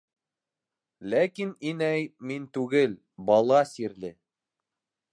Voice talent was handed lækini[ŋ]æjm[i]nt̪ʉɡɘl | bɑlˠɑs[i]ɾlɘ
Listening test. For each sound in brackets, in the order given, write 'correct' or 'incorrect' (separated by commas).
incorrect, correct, correct